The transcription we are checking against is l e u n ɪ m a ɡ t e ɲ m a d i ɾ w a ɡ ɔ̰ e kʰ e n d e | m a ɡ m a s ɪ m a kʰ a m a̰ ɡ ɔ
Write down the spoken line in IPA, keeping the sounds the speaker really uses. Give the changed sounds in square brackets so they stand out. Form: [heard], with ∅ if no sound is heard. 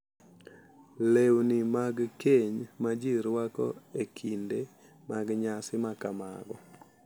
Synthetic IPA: l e [w] n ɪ m a ɡ [k] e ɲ m a [d͡ʒ] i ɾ w a [k] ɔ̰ e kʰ [i] n d e | m a ɡ [ɲ] a s ɪ m a [k] a m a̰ ɡ ɔ

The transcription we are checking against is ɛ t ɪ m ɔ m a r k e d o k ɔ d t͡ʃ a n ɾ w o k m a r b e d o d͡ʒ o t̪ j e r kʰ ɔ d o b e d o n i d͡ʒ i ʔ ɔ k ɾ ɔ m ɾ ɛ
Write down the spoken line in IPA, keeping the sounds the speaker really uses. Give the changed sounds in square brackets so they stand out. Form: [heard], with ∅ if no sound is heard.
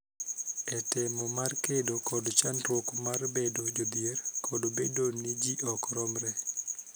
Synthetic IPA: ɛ t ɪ m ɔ m a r k e d o k ɔ d t͡ʃ a n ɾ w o k m a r b e d o d͡ʒ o [d̪] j e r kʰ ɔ d o b e d o n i d͡ʒ i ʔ ɔ k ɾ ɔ m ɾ ɛ

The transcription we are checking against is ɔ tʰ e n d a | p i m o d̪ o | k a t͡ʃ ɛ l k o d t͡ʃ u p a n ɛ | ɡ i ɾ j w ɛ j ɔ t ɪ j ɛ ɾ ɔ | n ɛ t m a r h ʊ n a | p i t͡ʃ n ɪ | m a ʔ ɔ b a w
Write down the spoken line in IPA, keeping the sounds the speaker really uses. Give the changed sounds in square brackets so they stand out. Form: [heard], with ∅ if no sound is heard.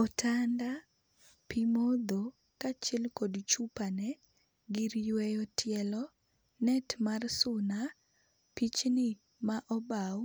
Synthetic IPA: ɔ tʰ [a] n d a | p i m o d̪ o | k a t͡ʃ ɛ l k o d t͡ʃ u p a n ɛ | ɡ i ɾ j w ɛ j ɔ t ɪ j ɛ [l] ɔ | n ɛ t m a r [s] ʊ n a | p i t͡ʃ n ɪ | m a ʔ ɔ b a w

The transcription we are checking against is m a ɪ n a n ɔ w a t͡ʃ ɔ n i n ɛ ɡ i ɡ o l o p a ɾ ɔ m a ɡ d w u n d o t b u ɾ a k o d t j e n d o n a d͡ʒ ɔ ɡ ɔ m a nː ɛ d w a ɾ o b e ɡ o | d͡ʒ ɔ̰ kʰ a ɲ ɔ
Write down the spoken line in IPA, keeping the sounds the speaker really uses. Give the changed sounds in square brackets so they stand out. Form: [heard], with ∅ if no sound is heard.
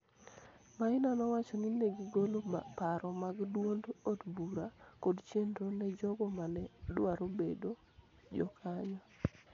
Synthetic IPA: m a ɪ n a n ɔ w a t͡ʃ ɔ n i n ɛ ɡ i ɡ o l o p a ɾ ɔ m a ɡ d w [o] n d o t b u ɾ a k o d [t͡ʃ] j e n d o n [ɛ] d͡ʒ ɔ ɡ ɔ m a [n] ɛ d w a ɾ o b e [d] o | d͡ʒ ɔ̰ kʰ a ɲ ɔ

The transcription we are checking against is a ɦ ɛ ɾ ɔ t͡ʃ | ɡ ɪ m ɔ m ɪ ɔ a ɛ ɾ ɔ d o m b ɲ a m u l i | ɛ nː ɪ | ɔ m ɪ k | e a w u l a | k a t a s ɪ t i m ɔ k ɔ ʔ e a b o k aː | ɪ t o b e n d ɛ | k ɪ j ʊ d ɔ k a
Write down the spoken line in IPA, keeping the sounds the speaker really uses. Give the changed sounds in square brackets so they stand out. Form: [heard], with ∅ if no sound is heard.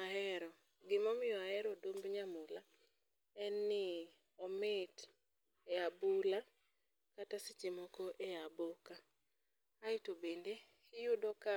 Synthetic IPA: a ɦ ɛ ɾ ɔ [∅] | ɡ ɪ m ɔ m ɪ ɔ a ɛ ɾ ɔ d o m b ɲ a m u l [a] | ɛ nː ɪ | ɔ m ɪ [t] | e a [b] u l a | k a t a s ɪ [t͡ʃ] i m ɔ k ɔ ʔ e a b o k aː | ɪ t o b e n d [e] | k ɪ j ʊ d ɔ k a

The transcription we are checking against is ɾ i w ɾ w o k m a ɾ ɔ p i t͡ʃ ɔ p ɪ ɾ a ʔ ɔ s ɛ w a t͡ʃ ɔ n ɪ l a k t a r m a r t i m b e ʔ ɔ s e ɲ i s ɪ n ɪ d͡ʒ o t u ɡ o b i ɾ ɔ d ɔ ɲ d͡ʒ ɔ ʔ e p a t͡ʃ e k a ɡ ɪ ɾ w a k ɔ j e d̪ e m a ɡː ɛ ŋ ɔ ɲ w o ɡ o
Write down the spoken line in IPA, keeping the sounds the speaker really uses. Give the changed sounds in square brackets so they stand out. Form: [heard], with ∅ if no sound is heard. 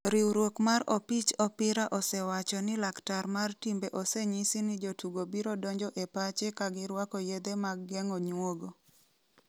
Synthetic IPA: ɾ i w ɾ w o k m a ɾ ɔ p i t͡ʃ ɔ p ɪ ɾ a ʔ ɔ s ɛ w a t͡ʃ ɔ n ɪ l a k t a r m a r t i m b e ʔ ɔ s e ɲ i s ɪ n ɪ d͡ʒ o t u ɡ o b i ɾ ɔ d ɔ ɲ d͡ʒ ɔ ʔ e p a t͡ʃ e k a ɡ ɪ ɾ w a k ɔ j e d̪ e m a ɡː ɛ ŋ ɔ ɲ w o ɡ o

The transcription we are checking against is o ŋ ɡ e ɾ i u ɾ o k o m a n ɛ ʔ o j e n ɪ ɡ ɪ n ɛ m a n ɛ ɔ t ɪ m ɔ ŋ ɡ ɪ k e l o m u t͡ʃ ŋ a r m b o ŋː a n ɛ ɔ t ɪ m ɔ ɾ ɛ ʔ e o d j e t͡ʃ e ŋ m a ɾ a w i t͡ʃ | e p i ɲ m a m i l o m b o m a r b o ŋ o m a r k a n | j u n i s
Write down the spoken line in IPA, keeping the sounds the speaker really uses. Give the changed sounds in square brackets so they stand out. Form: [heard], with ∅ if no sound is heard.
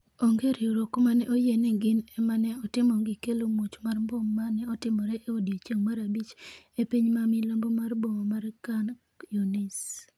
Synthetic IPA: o ŋ ɡ e ɾ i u ɾ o k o m a n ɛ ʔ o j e n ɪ ɡ ɪ n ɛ m a n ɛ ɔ t ɪ m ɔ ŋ ɡ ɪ k e l o m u t͡ʃ [m] a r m b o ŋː a n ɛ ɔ t ɪ m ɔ ɾ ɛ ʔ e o d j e t͡ʃ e ŋ m a ɾ a [b] i t͡ʃ | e p i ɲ m a m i l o m b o m a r b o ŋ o m a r k a n | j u n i s

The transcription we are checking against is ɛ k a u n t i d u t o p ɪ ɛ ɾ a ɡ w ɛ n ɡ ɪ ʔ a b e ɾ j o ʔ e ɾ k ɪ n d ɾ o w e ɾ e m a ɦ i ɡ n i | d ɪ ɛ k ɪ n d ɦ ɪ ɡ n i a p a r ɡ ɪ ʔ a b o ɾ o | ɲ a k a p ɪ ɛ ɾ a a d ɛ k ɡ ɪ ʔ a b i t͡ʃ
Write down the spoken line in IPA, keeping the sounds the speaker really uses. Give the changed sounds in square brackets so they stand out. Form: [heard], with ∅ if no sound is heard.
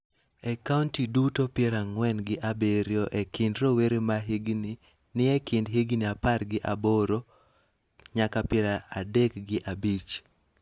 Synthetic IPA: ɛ k a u n t i d u t o p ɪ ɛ ɾ a [ŋ] w ɛ n ɡ ɪ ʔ a b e ɾ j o ʔ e [∅] k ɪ n d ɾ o w e ɾ e m a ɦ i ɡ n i | [n] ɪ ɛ k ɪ n d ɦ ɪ ɡ n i a p a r ɡ ɪ ʔ a b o ɾ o | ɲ a k a p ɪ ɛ ɾ a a d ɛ k ɡ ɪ ʔ a b i t͡ʃ

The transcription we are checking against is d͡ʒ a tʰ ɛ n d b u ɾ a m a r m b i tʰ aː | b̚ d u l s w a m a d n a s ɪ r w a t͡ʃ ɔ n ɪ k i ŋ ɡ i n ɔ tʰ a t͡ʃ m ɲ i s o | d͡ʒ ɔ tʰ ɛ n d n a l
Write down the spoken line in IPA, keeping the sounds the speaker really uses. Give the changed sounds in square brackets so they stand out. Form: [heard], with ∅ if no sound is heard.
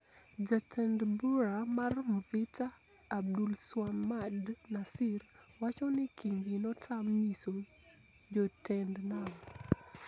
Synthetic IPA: d͡ʒ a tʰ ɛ n d b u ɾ a m a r m [v] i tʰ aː | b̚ d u l s w a m a d n a s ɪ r w a t͡ʃ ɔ n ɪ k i ŋ ɡ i n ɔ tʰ a [∅] m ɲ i s o | d͡ʒ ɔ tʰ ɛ n d n a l

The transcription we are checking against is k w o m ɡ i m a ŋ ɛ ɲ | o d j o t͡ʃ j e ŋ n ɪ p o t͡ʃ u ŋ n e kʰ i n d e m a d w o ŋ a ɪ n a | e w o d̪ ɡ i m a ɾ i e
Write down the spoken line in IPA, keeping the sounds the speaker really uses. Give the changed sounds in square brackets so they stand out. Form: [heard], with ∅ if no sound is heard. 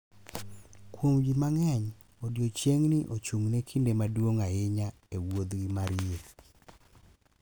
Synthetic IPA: k w o m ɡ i m a ŋ ɛ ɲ | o d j o t͡ʃ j e ŋ n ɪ [ʔ] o t͡ʃ u ŋ n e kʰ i n d e m a d w o ŋ a ɪ [ɲ] a | e w o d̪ ɡ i m a ɾ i e

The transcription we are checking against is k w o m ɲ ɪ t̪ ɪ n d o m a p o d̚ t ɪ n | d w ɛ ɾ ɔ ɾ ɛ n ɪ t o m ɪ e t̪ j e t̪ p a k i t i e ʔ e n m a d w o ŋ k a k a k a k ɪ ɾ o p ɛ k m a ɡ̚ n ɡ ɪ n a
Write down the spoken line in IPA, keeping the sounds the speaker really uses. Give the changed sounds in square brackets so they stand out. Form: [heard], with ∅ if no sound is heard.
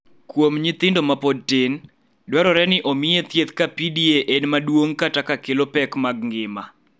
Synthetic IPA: k w o m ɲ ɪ t̪ ɪ n d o m a p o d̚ t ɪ n | d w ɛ ɾ ɔ ɾ ɛ n ɪ [ʔ] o m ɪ e t̪ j e t̪ [k] a [p] i [d] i e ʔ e n m a d w o ŋ k a [t] a k a k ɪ [l] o p ɛ k m a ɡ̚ [ŋ] ɡ ɪ [m] a

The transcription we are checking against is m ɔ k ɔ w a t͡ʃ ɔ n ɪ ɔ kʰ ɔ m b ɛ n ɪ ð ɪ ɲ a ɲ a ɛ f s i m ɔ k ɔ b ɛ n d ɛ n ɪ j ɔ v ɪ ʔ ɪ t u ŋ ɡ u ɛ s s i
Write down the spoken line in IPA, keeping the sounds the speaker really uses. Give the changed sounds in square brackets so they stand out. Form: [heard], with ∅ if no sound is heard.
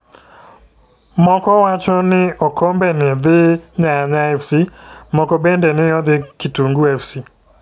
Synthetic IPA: m ɔ k ɔ w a t͡ʃ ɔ n ɪ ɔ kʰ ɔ m b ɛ n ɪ ð ɪ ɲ a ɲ a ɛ f s i m ɔ k ɔ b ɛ n d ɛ n ɪ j ɔ [ð] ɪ [k] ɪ t u ŋ ɡ u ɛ [f] s i

